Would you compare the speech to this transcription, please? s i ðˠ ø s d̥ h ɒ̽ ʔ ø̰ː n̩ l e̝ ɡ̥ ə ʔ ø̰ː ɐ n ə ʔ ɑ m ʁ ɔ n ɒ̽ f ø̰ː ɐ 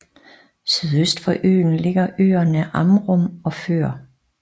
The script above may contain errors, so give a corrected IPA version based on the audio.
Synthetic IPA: s y ðˠ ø s d̥ f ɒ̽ ʔ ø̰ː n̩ l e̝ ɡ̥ ɐ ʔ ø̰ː ɐ n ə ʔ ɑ m ʁ ɔ m ɒ̽ f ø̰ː ɐ

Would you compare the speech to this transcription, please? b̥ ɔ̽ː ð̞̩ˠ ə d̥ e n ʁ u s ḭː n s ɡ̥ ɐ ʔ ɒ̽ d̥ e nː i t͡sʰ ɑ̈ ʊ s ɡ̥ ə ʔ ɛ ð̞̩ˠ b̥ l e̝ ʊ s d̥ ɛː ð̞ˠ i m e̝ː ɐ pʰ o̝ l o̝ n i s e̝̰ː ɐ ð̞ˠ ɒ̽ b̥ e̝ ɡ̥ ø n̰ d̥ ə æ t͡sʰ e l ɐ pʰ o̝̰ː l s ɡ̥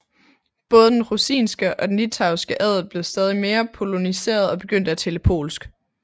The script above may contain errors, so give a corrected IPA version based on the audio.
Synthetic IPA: b̥ ɔ̽ː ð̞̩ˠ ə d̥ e n ʁ u s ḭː n s ɡ̥ ə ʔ ɒ̽ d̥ e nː i t͡sʰ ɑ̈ ʊ s ɡ̥ ə ʔ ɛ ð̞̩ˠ b̥ l e̝ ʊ s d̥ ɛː ð̞ˠ i m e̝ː ɐ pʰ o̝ l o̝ n i s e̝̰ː ɐ ð̞ˠ ɒ̽ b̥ e̝ ɡ̥ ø n̰ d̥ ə æ t͡sʰ e l ə pʰ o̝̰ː l s ɡ̥

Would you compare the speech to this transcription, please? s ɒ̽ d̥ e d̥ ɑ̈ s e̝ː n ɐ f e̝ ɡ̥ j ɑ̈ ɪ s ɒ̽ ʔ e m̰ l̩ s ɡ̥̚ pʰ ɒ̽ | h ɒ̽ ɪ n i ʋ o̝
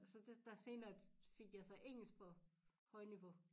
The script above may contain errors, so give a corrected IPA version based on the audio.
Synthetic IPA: s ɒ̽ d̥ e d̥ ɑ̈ s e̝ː n ɐ f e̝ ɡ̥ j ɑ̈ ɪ s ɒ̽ ʔ e ŋ̰ l̩ s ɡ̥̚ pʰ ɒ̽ | h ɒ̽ ɪ n i ʋ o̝

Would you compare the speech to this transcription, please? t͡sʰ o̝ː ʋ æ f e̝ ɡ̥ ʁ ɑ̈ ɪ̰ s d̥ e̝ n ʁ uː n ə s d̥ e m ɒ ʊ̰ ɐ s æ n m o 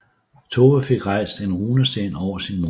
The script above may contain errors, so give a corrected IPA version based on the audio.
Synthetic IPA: t͡sʰ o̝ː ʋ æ f e̝ ɡ̥ ʁ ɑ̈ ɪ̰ s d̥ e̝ n ʁ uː n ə s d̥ e n ɒ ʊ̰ ɐ s i n m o

